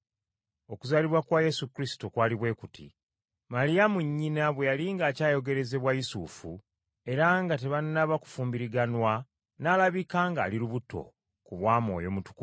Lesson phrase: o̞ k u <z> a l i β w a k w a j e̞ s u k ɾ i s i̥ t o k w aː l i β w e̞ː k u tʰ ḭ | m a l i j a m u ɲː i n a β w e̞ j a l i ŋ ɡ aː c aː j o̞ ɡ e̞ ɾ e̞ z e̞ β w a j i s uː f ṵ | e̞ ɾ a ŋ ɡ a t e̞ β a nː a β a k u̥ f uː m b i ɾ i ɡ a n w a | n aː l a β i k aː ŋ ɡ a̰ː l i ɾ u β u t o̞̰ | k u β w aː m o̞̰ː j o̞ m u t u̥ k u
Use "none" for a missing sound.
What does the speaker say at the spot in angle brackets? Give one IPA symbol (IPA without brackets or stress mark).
z